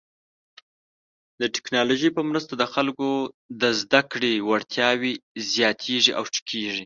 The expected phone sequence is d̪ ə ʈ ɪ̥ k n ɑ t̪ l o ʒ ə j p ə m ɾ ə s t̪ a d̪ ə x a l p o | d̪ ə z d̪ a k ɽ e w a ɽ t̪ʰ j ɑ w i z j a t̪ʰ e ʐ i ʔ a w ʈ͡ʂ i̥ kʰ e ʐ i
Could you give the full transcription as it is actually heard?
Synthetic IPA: d̪ ə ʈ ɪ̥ k n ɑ l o ʒ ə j p ə m ɾ ə s t̪ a d̪ ə x a l k o | d̪ ə z d̪ a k ɽ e w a ɽ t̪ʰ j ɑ w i z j ɑ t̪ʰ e ʐ i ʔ a w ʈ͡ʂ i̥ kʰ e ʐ i